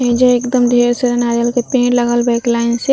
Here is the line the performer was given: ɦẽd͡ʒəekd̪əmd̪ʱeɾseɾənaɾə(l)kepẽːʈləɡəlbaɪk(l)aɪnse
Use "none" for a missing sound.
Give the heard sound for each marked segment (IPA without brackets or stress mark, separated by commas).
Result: l, l